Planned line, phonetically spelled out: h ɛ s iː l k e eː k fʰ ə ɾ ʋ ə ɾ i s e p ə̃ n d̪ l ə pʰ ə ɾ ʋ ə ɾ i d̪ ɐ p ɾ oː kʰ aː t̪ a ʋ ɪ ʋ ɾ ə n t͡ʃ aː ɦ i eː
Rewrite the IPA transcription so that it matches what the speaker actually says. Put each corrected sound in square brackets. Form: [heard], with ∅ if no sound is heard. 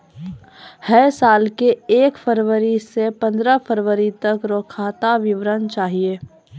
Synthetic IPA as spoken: h ɛ s [aː] l k e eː k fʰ ə ɾ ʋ ə ɾ i s e p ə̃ n d̪ [ɾ] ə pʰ ə ɾ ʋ ə ɾ i [t̪] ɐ [k] ɾ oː kʰ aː t̪ a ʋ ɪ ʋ ɾ ə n t͡ʃ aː ɦ i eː